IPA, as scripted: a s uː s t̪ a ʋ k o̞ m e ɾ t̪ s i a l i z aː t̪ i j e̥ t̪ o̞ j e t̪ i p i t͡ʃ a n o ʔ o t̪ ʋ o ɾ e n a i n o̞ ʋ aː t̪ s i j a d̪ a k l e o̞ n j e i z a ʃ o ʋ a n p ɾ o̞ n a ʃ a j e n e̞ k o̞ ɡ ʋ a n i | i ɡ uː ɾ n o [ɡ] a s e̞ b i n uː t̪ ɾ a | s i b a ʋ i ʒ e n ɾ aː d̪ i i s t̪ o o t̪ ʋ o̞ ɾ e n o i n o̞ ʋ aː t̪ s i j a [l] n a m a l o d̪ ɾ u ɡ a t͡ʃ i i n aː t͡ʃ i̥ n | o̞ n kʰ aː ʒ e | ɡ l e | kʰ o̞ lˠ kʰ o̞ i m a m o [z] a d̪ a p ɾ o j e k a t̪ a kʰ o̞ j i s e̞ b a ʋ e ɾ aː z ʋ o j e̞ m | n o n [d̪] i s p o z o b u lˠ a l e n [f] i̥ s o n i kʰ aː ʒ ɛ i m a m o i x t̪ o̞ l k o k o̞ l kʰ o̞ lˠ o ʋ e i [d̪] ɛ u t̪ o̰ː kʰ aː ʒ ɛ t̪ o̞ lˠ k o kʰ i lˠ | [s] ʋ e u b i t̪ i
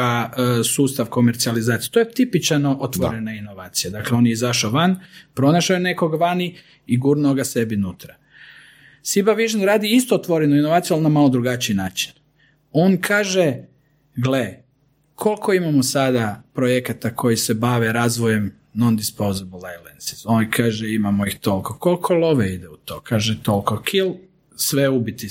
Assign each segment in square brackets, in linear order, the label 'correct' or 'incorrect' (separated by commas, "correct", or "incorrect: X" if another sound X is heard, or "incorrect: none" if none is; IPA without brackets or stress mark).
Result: correct, correct, incorrect: s, correct, incorrect: s, correct, correct